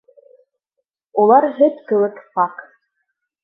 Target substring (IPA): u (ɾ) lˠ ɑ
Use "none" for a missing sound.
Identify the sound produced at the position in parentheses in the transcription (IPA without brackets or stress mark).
none